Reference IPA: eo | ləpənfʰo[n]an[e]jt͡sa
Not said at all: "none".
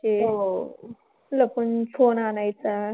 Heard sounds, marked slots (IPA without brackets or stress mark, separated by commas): n, a